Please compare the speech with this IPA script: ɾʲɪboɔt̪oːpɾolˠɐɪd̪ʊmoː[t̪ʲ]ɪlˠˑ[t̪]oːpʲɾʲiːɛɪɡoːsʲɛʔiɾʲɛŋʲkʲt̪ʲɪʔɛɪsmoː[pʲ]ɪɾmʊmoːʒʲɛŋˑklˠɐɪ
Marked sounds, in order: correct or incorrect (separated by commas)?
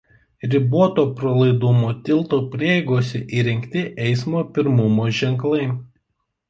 correct, correct, correct